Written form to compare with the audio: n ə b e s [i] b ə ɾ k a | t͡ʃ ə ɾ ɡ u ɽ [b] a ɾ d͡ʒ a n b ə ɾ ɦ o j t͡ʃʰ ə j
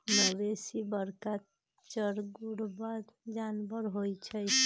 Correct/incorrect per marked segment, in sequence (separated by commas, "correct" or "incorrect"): correct, correct